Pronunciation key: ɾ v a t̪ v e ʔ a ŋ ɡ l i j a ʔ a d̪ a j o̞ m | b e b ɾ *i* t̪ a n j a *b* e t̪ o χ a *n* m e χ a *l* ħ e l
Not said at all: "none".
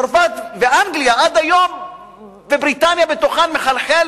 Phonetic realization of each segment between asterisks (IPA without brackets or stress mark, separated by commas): i, b, n, l